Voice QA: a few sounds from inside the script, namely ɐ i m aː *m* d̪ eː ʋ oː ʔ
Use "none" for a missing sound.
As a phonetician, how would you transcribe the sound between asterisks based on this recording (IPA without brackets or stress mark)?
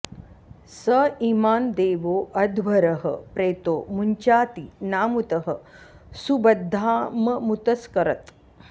n